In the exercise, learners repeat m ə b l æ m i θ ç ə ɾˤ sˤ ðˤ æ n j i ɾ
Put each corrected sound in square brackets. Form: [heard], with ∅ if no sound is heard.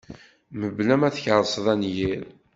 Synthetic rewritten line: m ə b l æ m [æ] θ ç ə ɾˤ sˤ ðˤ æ n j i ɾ